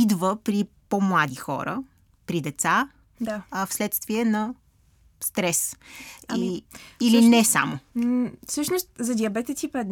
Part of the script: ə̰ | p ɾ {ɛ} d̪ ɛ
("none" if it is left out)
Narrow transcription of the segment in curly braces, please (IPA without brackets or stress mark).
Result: i